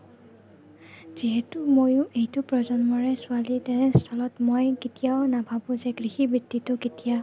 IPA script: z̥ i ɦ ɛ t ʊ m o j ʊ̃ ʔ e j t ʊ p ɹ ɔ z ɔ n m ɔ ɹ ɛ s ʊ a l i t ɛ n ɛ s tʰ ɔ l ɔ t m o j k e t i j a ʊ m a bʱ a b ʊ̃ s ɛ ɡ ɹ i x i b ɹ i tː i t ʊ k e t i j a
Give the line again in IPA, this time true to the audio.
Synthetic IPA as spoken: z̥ i ɦ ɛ t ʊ m o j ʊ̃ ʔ e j t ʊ p ɹ ɔ z ɔ n m ɔ ɹ ɛ s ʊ a l i t ɛ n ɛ s tʰ ɔ l ɔ t m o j k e t i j a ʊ n a bʱ a b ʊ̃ z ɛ ɡ ɹ i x i b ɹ i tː i t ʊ k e t i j a